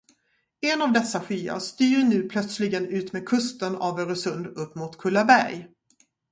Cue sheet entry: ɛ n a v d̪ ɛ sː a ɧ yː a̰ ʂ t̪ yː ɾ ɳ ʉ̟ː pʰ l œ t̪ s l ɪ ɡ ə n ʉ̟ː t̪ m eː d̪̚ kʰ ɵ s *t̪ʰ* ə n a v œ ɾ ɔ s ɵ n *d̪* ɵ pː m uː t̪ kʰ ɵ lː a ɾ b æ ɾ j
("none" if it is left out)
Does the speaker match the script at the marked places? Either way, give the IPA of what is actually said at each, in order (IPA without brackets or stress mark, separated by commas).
t̪, d̪